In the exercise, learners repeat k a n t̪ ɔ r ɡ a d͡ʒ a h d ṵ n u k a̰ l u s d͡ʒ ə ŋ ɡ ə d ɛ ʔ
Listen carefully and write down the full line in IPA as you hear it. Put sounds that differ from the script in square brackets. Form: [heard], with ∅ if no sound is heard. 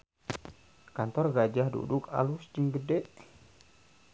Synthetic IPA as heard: k a n t̪ ɔ r ɡ a d͡ʒ a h d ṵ [d] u k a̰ l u s d͡ʒ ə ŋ ɡ ə d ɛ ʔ